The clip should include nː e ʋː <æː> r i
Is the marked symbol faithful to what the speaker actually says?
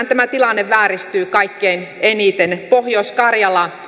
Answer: yes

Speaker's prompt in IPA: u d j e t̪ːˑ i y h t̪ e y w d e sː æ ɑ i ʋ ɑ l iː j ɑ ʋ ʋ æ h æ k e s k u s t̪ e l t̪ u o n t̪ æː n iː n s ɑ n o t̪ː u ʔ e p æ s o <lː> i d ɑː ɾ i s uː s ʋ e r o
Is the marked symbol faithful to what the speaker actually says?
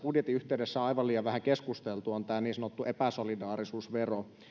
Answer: no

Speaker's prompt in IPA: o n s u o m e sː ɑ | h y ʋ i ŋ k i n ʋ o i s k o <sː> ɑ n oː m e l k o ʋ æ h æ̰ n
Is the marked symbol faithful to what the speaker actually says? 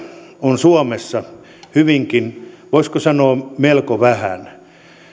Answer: no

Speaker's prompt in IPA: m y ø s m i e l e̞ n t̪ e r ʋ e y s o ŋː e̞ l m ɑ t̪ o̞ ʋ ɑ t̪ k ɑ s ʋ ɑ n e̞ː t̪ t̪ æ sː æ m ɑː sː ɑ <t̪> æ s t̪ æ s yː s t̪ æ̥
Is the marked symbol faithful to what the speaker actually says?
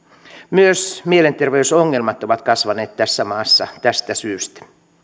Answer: yes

